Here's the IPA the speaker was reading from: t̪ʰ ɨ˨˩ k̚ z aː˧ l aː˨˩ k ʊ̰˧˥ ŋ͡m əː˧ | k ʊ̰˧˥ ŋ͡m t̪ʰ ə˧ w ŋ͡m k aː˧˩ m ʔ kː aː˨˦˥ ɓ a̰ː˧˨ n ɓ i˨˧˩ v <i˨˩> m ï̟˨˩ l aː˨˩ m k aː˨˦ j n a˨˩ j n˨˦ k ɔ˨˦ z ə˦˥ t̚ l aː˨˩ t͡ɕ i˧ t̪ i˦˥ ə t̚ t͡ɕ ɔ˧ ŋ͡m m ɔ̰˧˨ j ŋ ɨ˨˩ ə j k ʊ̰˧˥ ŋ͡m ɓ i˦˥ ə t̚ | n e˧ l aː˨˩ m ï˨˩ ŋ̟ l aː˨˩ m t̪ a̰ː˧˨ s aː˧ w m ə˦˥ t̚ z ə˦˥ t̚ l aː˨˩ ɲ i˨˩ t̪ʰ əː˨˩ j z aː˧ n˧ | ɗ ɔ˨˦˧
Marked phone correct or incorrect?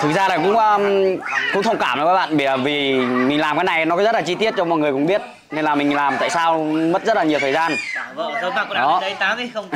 correct